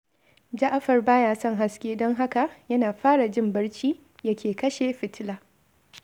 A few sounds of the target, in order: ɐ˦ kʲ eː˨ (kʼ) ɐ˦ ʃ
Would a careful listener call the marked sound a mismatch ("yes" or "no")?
yes